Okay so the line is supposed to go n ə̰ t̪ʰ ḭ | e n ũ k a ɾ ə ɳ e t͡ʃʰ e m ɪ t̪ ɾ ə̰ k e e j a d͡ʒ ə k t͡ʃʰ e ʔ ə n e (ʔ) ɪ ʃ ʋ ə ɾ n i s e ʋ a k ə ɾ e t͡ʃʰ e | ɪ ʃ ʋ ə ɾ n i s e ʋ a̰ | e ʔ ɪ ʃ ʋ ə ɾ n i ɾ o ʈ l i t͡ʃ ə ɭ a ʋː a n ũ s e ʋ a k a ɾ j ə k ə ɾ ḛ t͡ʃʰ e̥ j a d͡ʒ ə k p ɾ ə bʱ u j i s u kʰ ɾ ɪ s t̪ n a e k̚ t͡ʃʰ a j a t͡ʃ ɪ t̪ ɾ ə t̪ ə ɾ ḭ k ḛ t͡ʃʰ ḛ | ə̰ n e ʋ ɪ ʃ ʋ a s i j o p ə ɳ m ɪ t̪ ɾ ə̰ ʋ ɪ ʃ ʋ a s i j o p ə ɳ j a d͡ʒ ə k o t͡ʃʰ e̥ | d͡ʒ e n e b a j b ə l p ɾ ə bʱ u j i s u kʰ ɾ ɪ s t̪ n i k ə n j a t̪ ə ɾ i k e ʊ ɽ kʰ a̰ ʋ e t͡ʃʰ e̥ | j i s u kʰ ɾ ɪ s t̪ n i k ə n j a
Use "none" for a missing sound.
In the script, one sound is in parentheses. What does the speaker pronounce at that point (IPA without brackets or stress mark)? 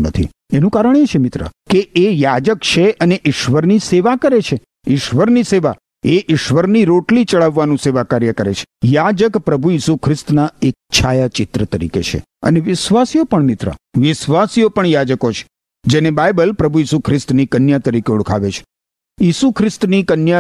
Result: ʔ